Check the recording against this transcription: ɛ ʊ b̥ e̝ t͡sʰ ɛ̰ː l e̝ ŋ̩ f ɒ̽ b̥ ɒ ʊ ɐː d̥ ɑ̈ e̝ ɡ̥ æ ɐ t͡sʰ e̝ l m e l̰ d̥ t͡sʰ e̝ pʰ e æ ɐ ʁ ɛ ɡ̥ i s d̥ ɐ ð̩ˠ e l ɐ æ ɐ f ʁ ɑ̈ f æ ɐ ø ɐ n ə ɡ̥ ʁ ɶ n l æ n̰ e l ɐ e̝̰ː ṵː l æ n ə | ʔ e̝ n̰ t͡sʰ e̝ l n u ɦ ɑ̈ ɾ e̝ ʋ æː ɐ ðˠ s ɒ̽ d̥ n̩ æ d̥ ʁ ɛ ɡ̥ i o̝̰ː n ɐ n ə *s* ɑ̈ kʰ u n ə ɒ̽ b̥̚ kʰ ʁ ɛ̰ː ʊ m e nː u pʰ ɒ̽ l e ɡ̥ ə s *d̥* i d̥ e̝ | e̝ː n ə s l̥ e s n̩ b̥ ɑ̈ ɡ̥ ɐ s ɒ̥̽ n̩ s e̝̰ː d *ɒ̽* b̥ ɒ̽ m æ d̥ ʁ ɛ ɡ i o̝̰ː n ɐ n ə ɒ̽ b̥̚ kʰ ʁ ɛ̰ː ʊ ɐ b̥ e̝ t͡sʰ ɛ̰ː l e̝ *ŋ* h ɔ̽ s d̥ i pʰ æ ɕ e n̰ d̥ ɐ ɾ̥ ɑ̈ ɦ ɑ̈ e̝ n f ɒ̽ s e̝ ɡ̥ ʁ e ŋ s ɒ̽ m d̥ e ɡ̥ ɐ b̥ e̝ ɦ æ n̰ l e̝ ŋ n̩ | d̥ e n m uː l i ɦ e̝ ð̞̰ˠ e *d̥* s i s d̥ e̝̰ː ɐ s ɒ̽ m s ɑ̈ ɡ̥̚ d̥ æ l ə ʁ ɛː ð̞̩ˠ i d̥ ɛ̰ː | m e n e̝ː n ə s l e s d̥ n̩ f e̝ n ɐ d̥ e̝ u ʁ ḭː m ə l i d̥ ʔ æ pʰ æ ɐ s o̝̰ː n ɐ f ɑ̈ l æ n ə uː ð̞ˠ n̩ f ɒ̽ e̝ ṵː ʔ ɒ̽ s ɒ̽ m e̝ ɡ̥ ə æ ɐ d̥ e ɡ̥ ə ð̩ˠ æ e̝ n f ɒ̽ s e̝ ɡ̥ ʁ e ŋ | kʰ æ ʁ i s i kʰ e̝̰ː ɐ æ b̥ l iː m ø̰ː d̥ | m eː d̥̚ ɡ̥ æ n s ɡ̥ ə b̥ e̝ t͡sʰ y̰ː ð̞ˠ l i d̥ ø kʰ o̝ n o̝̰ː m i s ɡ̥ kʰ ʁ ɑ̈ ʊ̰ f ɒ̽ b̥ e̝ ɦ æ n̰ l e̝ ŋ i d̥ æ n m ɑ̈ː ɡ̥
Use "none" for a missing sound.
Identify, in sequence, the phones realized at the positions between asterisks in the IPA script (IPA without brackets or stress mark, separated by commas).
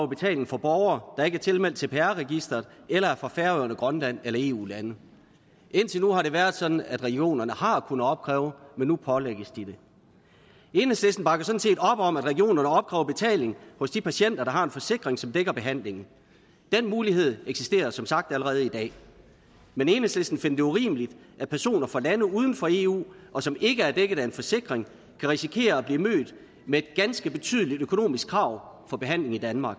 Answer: h, d̥, ɒ̽, ŋ, ɡ̥